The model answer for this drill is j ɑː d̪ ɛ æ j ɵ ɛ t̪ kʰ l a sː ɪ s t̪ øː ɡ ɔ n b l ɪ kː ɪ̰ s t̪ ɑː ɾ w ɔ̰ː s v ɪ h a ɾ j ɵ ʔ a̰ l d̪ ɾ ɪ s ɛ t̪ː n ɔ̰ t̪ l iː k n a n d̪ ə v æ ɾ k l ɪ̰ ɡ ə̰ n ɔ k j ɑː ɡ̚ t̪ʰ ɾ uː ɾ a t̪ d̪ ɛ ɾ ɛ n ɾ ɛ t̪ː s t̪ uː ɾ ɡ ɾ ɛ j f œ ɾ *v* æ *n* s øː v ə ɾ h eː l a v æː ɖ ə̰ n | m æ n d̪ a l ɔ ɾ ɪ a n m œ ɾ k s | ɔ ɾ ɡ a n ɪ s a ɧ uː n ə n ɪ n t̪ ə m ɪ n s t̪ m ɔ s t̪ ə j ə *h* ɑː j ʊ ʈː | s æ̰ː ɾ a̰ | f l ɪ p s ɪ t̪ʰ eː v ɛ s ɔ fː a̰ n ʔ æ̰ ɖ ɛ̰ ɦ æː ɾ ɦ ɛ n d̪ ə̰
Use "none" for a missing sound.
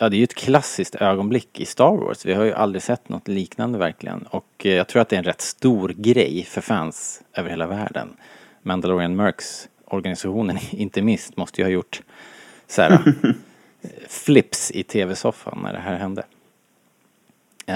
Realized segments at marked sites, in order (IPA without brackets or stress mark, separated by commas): f, n, h